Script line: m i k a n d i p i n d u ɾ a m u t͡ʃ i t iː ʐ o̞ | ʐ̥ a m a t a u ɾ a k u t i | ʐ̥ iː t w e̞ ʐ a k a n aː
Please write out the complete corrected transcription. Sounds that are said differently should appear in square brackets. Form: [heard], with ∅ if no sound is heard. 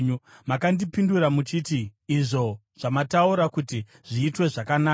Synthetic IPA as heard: m [a] k a n d i p i n d u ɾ a m u t͡ʃ i t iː ʐ o̞ | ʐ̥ a m a t a u ɾ a k u t i | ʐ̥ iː t w e̞ ʐ a k a n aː